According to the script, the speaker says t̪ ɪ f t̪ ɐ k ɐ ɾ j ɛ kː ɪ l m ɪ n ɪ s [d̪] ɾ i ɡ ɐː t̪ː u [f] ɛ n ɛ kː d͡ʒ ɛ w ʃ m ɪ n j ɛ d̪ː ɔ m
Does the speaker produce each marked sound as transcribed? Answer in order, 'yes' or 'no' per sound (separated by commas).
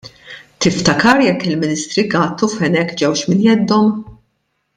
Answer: no, yes